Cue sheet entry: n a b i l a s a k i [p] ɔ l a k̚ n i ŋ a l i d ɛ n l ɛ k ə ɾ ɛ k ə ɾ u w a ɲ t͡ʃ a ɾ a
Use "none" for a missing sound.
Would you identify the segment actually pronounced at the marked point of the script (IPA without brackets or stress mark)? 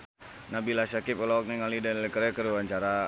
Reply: p